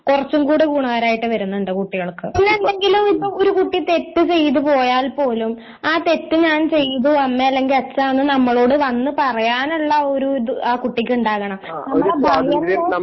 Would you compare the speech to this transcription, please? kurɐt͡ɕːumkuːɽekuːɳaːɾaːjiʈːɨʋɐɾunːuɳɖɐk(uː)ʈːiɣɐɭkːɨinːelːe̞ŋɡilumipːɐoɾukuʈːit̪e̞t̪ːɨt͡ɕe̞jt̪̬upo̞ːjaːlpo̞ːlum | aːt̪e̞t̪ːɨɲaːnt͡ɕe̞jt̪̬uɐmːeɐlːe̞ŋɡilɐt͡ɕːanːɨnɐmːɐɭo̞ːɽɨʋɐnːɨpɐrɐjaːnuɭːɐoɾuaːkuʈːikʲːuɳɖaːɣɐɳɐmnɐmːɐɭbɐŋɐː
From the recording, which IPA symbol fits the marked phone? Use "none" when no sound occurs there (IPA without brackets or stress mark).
u